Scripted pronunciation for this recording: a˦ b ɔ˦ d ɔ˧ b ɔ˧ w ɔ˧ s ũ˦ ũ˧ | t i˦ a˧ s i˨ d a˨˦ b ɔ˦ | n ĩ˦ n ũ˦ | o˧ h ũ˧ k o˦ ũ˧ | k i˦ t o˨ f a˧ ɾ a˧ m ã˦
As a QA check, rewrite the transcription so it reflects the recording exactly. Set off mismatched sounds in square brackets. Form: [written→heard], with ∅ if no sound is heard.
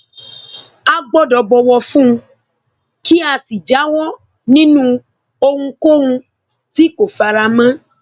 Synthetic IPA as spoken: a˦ [b→ɡ͡b] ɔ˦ d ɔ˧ b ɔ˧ w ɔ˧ [s→f] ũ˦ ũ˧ | [t→k] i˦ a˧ s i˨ [d→d͡ʒ] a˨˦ [b→w] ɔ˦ | n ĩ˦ n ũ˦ | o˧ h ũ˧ k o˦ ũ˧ | [k→t] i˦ [t→k] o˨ f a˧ ɾ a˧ m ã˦